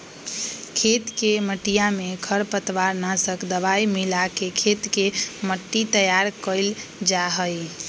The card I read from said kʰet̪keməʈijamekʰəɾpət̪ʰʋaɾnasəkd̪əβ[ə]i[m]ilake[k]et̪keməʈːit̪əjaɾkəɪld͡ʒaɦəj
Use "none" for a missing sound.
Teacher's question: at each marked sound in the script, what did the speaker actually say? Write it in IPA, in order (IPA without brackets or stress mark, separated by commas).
a, m, kʰ